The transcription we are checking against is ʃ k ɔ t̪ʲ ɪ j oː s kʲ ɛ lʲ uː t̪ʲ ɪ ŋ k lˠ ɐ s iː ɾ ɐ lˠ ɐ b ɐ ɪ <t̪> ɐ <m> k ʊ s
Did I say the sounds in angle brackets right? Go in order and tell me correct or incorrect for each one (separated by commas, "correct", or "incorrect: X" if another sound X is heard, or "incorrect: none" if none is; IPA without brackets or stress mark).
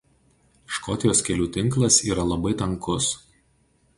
correct, incorrect: ŋ